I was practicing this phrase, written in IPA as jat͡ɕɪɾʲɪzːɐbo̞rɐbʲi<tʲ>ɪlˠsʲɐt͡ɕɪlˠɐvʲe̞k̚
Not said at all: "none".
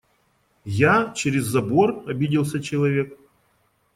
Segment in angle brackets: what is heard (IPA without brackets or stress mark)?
dʲ